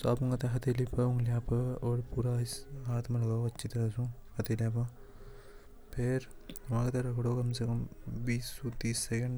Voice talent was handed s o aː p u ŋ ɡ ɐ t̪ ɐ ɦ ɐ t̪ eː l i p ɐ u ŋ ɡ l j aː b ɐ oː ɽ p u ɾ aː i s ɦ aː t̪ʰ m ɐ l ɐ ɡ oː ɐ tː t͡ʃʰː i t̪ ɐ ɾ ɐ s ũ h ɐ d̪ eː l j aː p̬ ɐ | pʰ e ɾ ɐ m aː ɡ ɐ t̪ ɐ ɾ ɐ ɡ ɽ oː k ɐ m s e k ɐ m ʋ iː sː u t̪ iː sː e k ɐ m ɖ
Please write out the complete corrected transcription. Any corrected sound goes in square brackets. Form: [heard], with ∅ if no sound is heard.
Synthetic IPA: s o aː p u ŋ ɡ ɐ t̪ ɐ ɦ ɐ t̪ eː l i p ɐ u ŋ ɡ l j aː [p] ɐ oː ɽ p u ɾ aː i s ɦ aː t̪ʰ m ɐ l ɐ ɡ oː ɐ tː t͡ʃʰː i t̪ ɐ ɾ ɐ s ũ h ɐ [t̪] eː l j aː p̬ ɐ | pʰ e ɾ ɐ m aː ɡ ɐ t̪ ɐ ɾ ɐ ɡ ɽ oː k ɐ m s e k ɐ m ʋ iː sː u t̪ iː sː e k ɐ [ɳ] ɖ